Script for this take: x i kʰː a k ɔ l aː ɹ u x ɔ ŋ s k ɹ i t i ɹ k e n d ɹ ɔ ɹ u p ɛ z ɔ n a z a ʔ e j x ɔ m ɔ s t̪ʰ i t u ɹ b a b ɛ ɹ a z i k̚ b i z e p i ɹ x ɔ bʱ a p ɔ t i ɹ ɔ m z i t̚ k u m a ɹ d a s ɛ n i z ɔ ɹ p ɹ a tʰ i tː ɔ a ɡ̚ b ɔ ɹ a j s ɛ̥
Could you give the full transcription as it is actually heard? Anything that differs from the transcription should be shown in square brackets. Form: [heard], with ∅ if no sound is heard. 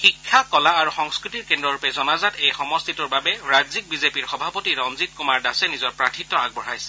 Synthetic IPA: x i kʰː a k ɔ l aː ɹ u x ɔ ŋ s k ɹ i t i ɹ k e n d ɹ ɔ ɹ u p ɛ z ɔ n a z a [t] e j x ɔ m ɔ s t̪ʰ i t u ɹ b a b ɛ ɹ a z i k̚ b i z e p i ɹ x ɔ bʱ a p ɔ t i ɹ ɔ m z i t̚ k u m a ɹ d a s ɛ n i z ɔ ɹ p ɹ a tʰ i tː ɔ a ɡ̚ b ɔ ɹ a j s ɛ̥